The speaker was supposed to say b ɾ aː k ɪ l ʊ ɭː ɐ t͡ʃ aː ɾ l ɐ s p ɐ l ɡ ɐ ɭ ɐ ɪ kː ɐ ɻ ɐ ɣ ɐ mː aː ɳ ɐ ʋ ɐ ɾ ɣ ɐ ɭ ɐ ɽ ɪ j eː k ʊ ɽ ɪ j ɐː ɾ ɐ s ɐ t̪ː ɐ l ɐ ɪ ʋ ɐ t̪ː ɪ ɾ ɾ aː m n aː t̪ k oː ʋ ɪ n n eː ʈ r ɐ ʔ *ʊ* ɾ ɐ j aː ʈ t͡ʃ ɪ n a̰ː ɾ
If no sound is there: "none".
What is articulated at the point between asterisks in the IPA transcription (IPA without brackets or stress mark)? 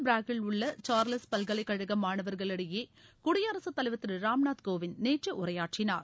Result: ʊ